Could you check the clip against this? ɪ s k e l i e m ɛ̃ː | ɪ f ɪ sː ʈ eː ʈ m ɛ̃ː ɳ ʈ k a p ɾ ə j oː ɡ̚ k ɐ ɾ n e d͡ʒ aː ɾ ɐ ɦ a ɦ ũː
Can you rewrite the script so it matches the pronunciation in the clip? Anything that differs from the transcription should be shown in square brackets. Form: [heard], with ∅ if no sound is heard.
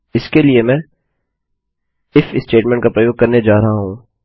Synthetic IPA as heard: ɪ s k e l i e m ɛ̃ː | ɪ f ɪ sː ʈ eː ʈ m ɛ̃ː ɳ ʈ k a p ɾ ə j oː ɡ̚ k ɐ ɾ n e d͡ʒ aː ɾ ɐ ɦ a ɦ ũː